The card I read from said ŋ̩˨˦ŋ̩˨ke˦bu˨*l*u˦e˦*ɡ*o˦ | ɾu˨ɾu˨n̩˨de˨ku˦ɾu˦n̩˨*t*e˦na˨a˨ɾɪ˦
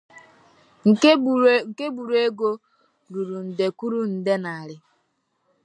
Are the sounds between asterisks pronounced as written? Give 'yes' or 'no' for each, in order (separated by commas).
no, yes, no